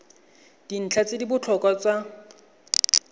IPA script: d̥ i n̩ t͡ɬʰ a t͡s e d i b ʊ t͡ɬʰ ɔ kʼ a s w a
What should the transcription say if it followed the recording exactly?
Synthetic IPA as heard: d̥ i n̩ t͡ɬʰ a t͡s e d i b ʊ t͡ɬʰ ɔ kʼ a t͡s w a